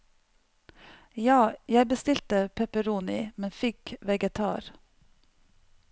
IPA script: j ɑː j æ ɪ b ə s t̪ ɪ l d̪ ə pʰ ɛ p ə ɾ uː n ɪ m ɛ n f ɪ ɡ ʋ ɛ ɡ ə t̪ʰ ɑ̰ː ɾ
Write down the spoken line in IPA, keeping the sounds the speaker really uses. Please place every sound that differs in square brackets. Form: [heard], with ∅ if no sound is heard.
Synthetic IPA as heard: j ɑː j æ ɪ b ə s t̪ ɪ l [t̪] ə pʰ ɛ p ə ɾ uː n ɪ m ɛ n f ɪ [k] ʋ ɛ ɡ ə t̪ʰ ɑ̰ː ɾ